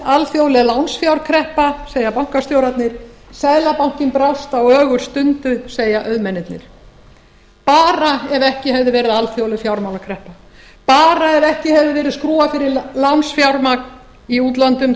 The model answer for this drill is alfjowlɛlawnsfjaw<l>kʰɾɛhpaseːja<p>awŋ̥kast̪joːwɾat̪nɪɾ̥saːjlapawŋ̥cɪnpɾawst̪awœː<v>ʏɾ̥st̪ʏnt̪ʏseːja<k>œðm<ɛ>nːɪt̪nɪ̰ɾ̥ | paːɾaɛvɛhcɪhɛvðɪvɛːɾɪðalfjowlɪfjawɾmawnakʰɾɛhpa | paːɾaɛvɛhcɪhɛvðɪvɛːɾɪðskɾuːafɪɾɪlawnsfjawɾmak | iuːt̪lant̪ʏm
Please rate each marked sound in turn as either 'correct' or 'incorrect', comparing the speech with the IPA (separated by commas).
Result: incorrect, correct, incorrect, incorrect, correct